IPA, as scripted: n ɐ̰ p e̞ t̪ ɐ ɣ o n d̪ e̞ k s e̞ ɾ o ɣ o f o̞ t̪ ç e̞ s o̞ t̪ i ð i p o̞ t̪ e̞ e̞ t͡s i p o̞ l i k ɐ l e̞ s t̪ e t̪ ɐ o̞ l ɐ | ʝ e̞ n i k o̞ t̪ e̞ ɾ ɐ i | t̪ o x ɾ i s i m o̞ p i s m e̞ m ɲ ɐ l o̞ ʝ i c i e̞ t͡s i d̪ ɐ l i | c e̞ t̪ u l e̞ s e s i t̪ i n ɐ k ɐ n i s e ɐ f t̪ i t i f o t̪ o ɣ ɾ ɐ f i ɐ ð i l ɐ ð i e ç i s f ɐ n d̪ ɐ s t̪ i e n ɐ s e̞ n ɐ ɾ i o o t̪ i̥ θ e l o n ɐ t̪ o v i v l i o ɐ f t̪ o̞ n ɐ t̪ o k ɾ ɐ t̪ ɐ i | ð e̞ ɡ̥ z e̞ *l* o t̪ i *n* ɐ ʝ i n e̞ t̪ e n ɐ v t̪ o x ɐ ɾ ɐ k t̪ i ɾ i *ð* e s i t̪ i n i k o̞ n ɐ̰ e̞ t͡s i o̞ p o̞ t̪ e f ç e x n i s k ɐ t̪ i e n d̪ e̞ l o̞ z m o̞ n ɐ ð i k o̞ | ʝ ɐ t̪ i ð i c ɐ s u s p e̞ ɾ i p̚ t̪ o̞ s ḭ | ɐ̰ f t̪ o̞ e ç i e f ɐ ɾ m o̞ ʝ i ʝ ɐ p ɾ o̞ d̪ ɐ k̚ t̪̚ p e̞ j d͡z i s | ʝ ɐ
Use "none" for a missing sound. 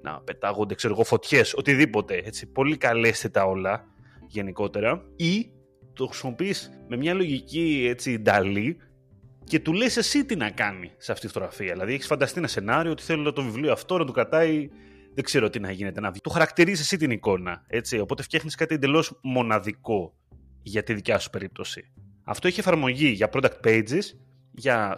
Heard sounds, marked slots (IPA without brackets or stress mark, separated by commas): ɾ, n, z